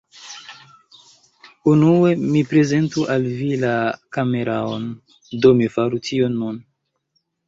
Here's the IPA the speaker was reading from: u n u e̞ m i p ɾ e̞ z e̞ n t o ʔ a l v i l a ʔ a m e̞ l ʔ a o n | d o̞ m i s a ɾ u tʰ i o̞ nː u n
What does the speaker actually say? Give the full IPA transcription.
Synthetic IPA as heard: u n u e̞ m i p ɾ e̞ z e̞ n t u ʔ a l v i l a k a m e̞ ɾ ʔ a o n | d o̞ m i f a ɾ u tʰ i o̞ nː u n